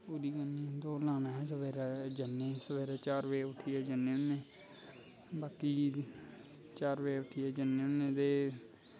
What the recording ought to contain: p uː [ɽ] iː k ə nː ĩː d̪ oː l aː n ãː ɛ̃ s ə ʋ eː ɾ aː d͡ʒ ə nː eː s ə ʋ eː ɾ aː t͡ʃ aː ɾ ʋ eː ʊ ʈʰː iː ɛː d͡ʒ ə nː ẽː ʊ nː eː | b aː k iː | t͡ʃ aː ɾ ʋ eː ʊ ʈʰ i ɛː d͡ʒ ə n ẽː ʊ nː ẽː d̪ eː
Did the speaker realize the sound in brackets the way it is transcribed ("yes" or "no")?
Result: no